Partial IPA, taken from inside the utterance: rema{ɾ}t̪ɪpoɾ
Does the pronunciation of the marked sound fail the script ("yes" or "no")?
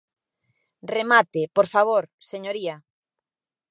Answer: yes